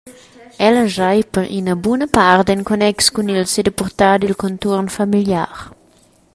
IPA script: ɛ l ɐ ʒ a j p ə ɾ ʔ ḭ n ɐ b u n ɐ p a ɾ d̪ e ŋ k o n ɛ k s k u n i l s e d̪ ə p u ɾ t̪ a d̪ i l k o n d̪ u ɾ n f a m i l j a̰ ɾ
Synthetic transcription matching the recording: ɛ l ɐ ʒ a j p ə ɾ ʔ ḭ n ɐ b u n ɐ p a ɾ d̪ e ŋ k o n ɛ k s k u n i l s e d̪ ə p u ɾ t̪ a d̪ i l k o n t̪ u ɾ n f a m i l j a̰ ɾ